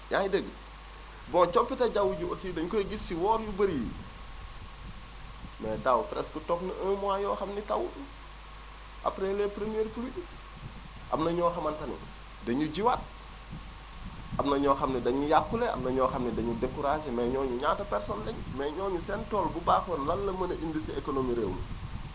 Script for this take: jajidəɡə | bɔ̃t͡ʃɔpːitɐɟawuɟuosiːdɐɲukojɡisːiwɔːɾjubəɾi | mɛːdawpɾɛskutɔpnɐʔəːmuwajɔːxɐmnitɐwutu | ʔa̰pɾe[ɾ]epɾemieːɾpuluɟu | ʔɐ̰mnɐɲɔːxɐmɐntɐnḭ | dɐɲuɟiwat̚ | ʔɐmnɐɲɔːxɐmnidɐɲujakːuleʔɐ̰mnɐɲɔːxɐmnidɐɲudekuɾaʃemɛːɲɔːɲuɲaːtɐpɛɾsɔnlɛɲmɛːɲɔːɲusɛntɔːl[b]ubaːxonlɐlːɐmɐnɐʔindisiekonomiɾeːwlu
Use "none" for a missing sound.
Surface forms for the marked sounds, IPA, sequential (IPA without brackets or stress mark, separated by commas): l, b